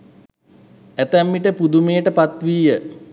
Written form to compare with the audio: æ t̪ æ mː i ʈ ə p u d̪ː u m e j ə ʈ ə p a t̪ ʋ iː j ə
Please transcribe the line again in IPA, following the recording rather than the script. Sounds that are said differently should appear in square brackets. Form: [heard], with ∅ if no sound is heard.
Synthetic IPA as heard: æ t̪ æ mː i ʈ ə p u [d̪] u m e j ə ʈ ə p a t̪ ʋ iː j ə